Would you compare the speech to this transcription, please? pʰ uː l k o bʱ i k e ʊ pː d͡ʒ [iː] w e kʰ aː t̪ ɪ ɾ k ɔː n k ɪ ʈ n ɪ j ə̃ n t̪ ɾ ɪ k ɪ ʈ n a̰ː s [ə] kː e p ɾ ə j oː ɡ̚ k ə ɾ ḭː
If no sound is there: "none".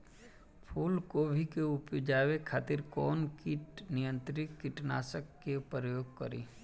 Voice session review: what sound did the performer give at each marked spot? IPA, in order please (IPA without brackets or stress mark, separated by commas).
aː, ə